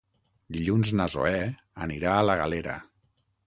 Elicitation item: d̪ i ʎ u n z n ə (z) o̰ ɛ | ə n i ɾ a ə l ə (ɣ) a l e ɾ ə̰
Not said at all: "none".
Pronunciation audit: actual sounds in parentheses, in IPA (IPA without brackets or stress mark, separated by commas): z, ɣ